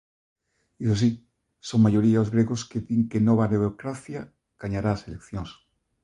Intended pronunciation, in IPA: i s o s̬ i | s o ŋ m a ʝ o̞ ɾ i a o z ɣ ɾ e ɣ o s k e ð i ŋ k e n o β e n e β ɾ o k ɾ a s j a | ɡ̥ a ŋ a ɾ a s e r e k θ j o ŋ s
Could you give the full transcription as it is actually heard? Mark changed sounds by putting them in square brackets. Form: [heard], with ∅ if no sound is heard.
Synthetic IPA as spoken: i s o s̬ i | s o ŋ m a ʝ o̞ ɾ i a o z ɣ ɾ e ɣ o s k e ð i ŋ k e n o β [a] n e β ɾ o k ɾ a [θ] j a | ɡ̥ a [ɲ] a ɾ a s e [l] e k θ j o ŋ s